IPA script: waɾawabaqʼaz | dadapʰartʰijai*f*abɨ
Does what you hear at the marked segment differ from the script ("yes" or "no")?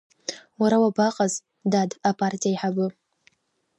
yes